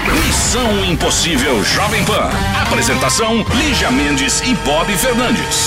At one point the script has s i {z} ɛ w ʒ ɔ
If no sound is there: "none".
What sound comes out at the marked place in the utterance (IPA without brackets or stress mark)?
v